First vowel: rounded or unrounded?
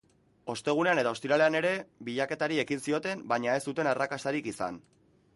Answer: rounded